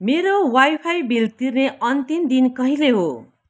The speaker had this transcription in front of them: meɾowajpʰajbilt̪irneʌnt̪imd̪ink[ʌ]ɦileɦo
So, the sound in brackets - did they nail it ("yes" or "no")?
yes